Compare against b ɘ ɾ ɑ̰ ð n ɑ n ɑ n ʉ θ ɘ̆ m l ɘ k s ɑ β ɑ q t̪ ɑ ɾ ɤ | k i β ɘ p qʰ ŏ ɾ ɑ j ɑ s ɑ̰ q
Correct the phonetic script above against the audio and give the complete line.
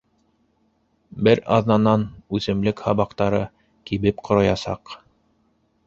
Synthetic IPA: b ɘ ɾ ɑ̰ ð n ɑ n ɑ n ʉ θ ɘ̆ m l ɘ k h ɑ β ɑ q t̪ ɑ ɾ ɤ | k i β ɘ p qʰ ŏ ɾ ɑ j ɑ s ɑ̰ q